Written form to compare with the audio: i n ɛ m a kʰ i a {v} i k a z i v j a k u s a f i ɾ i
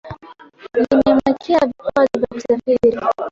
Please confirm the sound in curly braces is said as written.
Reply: yes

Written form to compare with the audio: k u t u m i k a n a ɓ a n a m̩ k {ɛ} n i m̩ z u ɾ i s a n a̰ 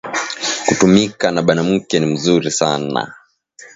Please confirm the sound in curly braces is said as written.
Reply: yes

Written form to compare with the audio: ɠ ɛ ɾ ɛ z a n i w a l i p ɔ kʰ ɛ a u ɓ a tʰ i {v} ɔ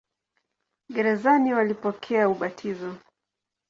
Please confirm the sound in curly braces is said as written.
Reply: no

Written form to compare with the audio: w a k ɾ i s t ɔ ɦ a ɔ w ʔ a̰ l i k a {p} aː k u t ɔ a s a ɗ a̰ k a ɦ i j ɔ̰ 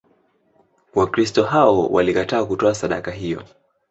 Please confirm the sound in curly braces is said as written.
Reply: no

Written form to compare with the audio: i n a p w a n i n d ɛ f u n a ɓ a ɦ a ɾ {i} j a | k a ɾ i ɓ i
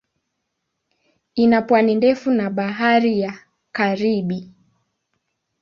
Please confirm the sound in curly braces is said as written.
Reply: yes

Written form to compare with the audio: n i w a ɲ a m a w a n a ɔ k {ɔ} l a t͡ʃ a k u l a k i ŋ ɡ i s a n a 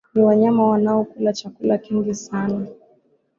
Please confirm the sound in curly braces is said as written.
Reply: no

